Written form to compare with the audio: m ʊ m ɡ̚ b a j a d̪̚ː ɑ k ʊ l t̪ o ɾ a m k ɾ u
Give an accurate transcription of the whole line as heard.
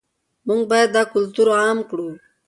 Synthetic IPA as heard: m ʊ ŋ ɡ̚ b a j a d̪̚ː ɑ k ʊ l t̪ u ɾ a m k ɽ u

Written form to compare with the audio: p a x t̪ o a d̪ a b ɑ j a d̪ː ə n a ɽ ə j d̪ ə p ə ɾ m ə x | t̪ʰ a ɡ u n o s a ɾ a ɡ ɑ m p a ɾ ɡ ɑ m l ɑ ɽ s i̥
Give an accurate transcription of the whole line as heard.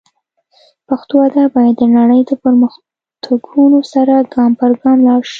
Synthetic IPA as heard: p a x t̪ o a d̪ a b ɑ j a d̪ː ə n a ɽ ə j d̪ ə p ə ɾ m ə x | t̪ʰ a ɡ u n o s a ɾ a ɡ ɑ m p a ɾ ɡ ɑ m l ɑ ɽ ʃ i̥

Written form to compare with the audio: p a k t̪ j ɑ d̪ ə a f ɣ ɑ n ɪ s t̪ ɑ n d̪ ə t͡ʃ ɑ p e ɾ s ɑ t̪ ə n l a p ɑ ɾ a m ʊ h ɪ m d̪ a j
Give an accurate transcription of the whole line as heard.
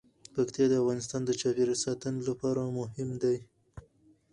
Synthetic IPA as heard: p a k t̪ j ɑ d̪ ə a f ɣ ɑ n ɪ s t̪ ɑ n d̪ ə t͡ʃ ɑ p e ɾ s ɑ t̪ ə n l a p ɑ ɾ a m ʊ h ɪ m d̪ a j

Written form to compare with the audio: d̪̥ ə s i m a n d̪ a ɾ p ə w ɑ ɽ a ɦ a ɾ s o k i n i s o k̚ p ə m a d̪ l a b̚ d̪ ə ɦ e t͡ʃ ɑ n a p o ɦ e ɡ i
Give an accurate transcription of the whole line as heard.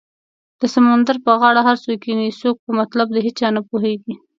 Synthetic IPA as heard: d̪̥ ə s a m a n d̪ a ɾ p ə ɣ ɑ ɽ a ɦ a ɾ s o k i n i s o k̚ p ə m a t̪ l a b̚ d̪ ə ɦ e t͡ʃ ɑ n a p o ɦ e ɡ i

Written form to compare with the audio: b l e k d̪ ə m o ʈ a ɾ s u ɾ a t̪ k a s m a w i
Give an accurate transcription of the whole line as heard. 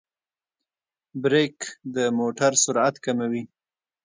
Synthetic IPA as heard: b ɾ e k d̪ ə m o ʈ a ɾ s ʊ ɾ a t̪ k a m a w i

